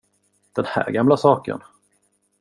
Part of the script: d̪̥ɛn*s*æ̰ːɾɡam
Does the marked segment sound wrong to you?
yes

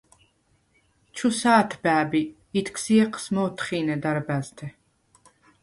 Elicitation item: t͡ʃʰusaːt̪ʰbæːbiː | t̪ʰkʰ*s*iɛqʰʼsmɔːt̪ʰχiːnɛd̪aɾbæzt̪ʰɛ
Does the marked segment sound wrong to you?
no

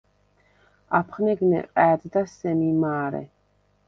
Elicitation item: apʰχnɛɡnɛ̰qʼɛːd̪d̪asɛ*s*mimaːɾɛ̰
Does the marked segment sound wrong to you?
yes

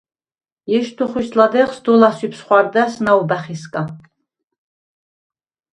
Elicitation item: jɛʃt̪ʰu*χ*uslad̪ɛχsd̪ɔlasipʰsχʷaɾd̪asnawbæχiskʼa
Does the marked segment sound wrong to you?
no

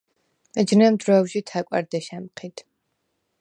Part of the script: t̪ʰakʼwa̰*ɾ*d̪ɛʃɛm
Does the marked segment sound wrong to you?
no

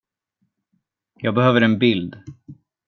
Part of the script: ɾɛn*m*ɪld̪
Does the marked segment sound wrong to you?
yes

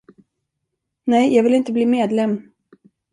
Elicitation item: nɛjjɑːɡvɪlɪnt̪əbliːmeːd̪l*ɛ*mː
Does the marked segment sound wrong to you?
no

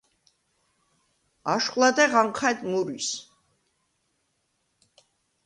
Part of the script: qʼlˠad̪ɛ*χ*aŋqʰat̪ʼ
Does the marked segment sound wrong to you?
yes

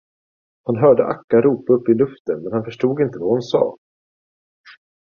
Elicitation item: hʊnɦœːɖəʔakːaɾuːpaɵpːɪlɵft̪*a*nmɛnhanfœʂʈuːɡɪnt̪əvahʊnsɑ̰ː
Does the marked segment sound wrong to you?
yes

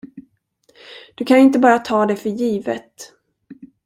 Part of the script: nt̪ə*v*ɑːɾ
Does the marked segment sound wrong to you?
yes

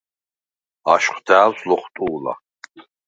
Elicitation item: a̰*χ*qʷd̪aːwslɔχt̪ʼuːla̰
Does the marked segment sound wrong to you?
yes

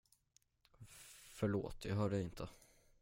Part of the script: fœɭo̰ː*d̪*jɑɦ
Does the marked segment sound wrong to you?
yes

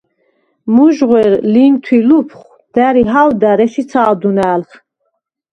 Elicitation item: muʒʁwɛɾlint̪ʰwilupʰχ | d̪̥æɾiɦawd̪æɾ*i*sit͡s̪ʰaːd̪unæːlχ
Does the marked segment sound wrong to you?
yes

